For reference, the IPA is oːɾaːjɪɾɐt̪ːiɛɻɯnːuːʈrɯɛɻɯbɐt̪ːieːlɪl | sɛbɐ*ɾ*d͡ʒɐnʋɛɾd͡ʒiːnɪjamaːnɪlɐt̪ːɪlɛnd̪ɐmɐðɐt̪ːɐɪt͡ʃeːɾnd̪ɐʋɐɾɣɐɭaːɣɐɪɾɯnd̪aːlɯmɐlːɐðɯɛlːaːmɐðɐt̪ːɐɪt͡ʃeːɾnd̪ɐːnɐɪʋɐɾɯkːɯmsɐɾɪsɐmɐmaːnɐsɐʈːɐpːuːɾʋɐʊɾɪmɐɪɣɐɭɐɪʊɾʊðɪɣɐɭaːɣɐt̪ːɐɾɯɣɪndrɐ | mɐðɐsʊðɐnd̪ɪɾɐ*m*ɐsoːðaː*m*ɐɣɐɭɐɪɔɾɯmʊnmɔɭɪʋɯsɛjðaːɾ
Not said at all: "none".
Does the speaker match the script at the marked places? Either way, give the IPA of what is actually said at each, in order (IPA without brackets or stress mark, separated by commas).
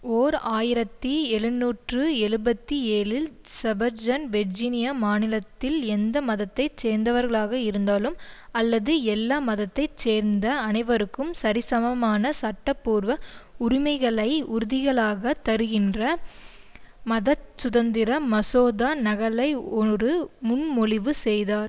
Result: ɾ, m, n